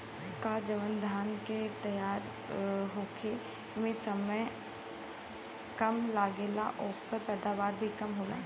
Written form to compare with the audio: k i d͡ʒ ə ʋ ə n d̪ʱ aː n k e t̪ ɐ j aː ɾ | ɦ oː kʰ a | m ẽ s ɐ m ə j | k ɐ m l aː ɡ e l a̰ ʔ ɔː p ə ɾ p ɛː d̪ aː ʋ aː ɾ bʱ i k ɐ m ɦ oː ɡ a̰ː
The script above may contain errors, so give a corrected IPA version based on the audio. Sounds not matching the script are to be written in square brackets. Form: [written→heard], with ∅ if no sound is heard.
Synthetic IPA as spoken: k [i→a] d͡ʒ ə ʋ ə n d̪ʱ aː n k e t̪ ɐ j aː ɾ | ɦ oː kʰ [a→e] | m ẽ s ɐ m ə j | k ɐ m l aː ɡ e l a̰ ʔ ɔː p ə ɾ p ɛː d̪ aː ʋ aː ɾ bʱ i k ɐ m ɦ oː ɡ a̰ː